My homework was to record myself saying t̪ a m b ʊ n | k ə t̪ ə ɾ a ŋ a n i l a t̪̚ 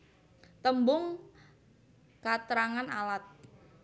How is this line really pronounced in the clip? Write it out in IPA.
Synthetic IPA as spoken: t̪ ə m b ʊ ŋ | k a t̪ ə ɾ a ŋ a n a l a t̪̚